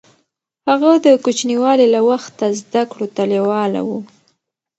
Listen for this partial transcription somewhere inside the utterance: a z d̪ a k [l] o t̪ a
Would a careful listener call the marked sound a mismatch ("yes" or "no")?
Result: yes